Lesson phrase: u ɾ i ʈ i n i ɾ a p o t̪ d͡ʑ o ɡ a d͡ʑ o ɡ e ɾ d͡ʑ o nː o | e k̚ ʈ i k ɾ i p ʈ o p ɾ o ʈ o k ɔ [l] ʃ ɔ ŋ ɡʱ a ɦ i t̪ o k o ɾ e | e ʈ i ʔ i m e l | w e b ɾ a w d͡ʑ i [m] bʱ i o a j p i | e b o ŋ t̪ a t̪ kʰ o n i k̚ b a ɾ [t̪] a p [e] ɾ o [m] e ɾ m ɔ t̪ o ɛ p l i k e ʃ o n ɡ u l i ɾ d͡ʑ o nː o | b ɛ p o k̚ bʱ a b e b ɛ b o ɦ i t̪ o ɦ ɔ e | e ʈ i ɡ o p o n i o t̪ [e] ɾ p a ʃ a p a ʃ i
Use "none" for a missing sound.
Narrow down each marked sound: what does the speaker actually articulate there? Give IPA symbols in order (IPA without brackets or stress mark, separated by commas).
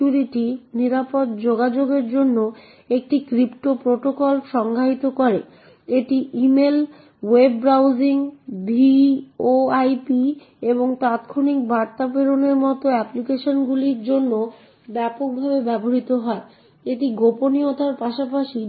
l, ŋ, t̪, e, n, a